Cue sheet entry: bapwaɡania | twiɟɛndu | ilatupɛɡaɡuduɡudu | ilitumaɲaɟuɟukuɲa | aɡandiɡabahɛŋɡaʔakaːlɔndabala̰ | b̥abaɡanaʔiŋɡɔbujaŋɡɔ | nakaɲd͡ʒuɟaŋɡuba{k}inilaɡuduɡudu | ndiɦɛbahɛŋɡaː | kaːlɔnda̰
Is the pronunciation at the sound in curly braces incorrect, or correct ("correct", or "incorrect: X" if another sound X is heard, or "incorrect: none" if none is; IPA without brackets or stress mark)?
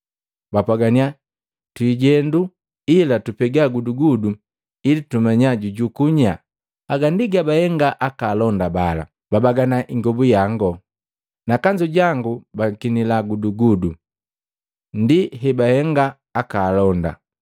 correct